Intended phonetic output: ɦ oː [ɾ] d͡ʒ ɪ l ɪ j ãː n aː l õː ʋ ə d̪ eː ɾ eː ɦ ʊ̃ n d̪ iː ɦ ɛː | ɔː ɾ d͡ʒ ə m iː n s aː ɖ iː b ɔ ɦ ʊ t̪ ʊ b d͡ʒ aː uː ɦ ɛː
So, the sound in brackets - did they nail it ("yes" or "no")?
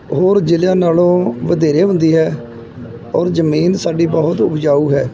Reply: yes